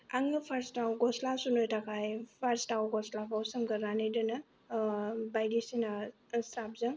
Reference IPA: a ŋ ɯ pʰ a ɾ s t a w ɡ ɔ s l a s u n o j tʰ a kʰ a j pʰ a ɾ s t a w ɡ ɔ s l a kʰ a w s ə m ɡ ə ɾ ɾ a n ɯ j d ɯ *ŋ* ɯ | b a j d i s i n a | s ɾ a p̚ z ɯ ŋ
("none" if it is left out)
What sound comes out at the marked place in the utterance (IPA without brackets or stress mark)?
n